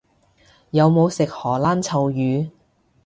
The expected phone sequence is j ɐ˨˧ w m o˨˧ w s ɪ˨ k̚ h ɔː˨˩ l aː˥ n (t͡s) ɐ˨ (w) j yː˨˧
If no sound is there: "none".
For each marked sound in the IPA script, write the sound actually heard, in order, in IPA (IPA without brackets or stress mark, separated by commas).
t͡sʰ, w